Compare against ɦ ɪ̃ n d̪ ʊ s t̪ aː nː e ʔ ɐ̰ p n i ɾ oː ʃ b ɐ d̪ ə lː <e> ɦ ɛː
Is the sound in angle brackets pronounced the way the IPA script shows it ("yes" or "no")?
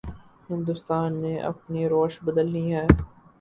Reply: no